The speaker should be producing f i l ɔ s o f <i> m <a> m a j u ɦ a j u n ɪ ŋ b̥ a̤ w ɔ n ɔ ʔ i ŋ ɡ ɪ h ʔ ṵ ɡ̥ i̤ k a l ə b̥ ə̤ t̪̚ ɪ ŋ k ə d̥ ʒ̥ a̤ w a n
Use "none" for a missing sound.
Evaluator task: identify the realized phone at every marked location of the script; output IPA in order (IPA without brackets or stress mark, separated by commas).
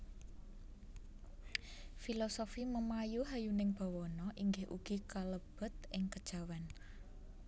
i, ə